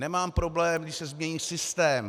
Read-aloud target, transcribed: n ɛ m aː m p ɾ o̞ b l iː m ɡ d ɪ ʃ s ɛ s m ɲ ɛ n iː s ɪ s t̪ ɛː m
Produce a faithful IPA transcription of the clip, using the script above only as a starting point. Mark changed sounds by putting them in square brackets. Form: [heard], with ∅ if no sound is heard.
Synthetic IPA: n ɛ m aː m p ɾ o̞ b l [ɛː] m ɡ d ɪ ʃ s ɛ [z] m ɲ ɛ [ɲ] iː s ɪ s t̪ ɛː m

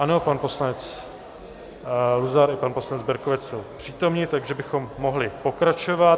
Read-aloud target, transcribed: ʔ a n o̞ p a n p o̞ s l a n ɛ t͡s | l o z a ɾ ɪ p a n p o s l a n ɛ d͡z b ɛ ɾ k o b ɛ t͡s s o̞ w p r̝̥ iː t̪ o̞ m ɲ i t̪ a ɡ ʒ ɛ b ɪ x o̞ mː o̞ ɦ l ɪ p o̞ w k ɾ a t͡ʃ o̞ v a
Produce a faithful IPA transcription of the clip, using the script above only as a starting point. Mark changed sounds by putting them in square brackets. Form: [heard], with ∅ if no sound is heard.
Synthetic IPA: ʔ a n o̞ p a n p o̞ s l a n ɛ t͡s | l [u] z a ɾ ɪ p a n p o s l a n ɛ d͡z b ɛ ɾ k o [v] ɛ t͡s s o̞ w p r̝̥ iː t̪ o̞ m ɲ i t̪ a ɡ ʒ ɛ b ɪ x o̞ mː o̞ ɦ l ɪ p o̞ [∅] k ɾ a t͡ʃ o̞ v a

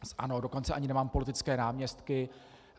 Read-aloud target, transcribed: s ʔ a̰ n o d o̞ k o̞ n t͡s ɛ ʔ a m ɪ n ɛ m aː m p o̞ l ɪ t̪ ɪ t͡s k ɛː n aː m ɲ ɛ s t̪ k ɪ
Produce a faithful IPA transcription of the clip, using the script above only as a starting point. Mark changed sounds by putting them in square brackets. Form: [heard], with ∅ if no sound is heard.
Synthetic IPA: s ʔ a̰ n o d o̞ k o̞ n t͡s ɛ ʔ a [ɲ] ɪ n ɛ m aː m p o̞ l ɪ t̪ ɪ t͡s k ɛː n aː m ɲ ɛ s t̪ k ɪ

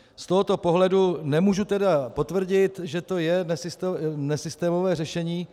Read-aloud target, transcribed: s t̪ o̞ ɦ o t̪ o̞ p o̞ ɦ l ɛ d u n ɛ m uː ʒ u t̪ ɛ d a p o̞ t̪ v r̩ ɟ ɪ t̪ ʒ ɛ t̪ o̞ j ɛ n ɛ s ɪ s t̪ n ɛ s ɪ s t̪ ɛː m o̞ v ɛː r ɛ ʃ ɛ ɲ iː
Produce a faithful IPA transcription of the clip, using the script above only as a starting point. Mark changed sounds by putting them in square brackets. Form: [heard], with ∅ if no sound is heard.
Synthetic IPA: s t̪ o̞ ɦ o t̪ o̞ p o̞ ɦ l ɛ d u n ɛ m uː ʒ u t̪ ɛ d a p o̞ t̪ v r̩ ɟ ɪ t̪ ʒ ɛ t̪ o̞ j ɛ n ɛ s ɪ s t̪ n ɛ s ɪ s t̪ ɛː m o̞ v ɛː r ɛ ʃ ɛ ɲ iː

